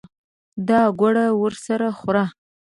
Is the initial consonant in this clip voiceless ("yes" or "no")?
no